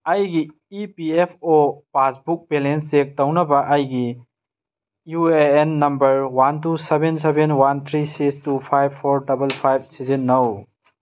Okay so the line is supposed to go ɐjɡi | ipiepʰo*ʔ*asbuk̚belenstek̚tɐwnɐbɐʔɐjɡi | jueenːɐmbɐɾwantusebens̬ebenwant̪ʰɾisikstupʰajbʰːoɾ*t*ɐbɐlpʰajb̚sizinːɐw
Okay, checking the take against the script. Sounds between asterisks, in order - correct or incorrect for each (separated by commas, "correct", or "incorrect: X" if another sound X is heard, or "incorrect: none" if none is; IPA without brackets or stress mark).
incorrect: p, incorrect: d